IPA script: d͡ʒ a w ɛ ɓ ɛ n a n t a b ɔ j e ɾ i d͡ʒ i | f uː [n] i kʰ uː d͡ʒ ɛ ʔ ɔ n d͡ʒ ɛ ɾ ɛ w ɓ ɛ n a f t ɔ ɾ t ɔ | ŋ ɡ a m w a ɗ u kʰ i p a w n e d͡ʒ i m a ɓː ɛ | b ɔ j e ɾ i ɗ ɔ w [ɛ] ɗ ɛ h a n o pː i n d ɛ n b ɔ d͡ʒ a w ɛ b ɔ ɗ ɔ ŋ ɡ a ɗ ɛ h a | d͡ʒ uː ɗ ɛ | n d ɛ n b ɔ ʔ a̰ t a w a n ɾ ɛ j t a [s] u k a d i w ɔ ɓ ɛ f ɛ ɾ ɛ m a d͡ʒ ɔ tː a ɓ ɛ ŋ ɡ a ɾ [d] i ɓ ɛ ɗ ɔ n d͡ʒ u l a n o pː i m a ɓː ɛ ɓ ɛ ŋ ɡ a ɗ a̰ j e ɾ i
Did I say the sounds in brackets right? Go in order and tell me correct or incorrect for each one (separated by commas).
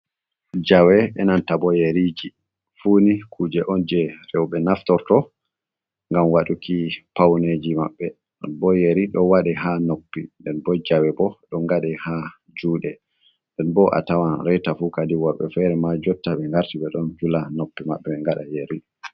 correct, incorrect, incorrect, incorrect